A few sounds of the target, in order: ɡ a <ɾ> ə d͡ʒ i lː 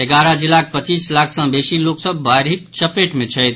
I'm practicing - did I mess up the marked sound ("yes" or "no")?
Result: no